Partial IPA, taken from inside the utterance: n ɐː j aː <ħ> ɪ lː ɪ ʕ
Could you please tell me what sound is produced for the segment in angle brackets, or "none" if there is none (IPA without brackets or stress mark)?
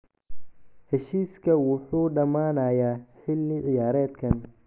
ħ